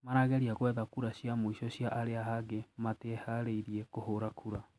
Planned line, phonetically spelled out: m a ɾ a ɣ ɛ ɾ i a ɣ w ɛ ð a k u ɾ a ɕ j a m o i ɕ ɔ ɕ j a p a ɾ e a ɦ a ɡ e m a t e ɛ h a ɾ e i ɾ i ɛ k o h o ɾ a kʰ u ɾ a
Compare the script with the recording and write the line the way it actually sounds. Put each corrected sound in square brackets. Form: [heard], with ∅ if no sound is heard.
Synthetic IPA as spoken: m a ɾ a ɣ ɛ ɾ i a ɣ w ɛ ð a k u ɾ a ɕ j a m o i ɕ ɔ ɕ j a [ʔ] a ɾ e a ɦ a ɡ e m a t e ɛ h a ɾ e i ɾ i ɛ k o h o ɾ a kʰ u ɾ a